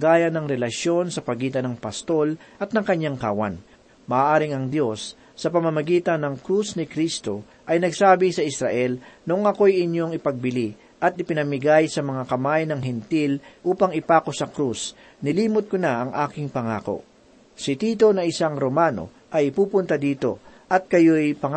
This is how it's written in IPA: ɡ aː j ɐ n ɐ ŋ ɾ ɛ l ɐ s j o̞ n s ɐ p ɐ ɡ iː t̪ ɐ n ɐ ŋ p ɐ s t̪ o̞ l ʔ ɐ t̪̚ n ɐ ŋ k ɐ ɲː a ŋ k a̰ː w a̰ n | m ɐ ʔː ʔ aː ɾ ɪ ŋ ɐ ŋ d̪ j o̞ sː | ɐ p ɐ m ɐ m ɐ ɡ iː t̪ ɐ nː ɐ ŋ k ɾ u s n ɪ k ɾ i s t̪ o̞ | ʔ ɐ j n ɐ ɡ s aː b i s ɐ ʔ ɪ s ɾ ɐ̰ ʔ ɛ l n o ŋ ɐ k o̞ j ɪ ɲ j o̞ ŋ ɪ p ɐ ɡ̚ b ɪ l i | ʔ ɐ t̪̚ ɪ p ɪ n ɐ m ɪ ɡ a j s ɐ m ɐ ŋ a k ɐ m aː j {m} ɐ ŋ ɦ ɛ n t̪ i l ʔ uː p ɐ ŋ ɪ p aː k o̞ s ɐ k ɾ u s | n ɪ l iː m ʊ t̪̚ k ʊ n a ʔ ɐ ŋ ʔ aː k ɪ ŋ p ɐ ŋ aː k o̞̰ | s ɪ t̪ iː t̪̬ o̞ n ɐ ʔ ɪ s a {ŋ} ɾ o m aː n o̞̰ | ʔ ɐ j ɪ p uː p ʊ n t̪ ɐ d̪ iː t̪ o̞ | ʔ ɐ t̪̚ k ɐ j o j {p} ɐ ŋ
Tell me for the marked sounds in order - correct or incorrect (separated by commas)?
incorrect, correct, correct